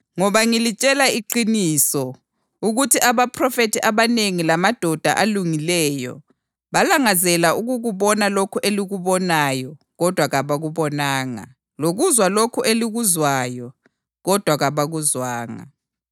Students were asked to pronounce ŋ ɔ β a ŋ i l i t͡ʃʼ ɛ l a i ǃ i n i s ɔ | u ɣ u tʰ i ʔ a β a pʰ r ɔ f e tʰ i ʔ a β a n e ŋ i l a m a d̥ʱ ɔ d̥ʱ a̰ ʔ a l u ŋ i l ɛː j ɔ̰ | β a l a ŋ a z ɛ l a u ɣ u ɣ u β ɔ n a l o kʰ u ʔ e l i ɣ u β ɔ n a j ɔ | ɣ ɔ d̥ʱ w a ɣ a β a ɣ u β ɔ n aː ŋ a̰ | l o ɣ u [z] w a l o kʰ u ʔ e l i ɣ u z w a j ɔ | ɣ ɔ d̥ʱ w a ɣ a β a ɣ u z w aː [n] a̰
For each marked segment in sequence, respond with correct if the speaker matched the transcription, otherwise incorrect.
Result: correct, incorrect

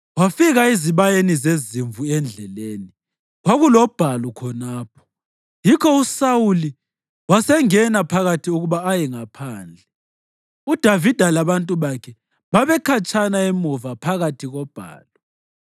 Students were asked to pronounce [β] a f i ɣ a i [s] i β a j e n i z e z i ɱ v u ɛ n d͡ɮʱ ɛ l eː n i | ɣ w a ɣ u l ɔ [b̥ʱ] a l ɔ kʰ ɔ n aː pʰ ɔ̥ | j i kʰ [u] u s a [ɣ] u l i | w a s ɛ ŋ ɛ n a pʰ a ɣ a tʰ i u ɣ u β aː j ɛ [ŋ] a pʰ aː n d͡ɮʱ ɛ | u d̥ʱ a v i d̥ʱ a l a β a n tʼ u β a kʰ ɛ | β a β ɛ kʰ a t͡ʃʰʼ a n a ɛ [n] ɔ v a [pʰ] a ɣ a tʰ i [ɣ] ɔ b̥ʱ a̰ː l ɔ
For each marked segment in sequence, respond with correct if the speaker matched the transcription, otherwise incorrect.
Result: incorrect, incorrect, correct, incorrect, incorrect, correct, incorrect, correct, correct

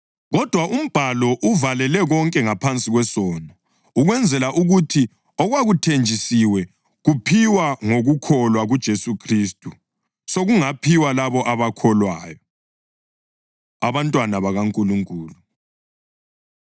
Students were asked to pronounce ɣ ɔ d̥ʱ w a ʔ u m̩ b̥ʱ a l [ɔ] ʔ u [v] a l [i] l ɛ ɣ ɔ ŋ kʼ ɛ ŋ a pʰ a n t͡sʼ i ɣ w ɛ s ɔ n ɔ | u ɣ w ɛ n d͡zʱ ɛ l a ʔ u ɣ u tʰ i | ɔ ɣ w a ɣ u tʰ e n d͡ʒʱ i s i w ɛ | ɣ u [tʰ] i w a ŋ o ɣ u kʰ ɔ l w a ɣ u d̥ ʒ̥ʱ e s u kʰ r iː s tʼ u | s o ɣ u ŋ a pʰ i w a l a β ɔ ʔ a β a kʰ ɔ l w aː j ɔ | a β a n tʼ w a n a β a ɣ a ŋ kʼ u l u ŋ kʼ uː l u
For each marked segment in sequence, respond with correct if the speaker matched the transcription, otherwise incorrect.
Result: correct, correct, incorrect, incorrect

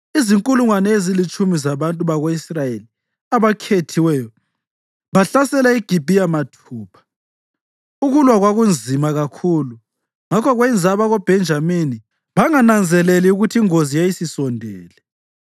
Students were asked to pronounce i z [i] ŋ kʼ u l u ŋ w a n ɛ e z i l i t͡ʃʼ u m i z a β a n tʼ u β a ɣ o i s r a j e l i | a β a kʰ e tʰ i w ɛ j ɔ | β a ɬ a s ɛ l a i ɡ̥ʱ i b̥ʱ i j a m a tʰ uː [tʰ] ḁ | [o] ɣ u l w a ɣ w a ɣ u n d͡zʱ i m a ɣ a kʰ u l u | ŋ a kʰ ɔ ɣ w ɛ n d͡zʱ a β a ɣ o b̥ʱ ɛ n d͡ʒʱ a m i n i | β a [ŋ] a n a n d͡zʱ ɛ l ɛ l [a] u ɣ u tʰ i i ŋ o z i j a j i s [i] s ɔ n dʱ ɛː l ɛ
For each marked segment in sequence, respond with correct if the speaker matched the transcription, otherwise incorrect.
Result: correct, incorrect, incorrect, correct, incorrect, correct

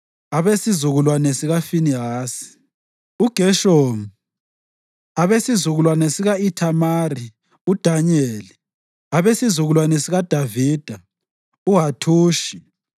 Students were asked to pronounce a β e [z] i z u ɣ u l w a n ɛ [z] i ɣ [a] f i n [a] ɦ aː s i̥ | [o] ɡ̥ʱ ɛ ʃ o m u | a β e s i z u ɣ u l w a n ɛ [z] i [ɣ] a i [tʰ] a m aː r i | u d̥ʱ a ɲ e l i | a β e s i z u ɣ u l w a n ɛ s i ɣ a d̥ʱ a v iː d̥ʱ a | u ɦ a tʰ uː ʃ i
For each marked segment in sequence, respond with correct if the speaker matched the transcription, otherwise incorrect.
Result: incorrect, incorrect, correct, incorrect, incorrect, incorrect, correct, correct

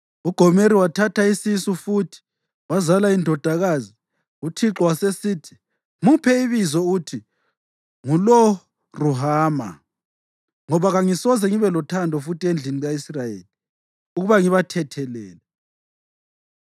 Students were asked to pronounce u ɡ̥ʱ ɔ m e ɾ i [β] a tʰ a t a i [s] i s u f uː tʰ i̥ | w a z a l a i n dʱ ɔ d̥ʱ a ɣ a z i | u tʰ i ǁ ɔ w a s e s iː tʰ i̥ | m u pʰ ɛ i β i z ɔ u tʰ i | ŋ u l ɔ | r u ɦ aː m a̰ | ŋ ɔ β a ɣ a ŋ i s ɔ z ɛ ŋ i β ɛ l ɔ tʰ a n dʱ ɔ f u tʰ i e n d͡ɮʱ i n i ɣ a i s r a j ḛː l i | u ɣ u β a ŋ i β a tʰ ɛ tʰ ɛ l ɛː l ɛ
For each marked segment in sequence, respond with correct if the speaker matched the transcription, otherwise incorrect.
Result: incorrect, correct

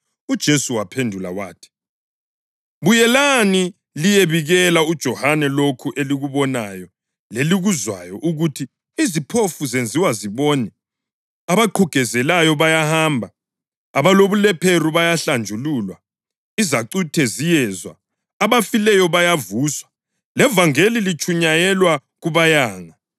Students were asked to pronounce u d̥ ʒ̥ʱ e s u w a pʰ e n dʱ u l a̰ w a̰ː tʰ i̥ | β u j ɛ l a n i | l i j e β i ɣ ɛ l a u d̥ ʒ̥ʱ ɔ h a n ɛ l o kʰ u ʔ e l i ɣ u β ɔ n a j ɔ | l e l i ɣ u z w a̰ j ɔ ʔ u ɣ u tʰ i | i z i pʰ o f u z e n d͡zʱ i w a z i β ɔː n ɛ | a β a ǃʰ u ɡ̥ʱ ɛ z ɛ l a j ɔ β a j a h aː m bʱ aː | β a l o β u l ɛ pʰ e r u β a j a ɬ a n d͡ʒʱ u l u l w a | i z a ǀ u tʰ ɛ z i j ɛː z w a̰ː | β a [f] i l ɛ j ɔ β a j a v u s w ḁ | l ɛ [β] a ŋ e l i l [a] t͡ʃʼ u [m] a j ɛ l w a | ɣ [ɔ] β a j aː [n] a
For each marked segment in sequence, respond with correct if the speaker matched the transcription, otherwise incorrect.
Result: correct, incorrect, incorrect, incorrect, incorrect, incorrect

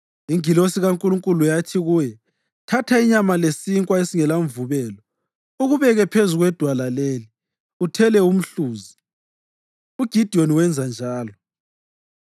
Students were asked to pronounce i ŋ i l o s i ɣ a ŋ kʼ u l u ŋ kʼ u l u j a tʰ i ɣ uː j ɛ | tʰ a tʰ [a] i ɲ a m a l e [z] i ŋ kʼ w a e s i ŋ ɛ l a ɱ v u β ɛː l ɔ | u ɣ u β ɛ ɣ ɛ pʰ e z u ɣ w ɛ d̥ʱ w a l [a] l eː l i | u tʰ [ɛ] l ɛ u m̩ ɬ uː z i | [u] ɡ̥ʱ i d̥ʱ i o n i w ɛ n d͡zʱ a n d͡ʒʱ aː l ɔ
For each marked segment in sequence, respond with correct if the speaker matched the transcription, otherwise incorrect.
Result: correct, incorrect, correct, correct, correct

